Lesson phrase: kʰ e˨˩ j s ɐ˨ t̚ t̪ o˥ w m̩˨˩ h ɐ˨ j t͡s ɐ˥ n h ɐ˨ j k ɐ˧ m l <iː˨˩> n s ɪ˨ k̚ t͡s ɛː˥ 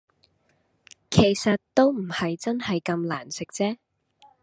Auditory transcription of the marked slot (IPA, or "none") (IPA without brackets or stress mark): aː˨˩